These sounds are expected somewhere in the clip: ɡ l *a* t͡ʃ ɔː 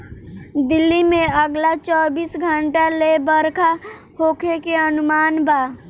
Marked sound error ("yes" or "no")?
no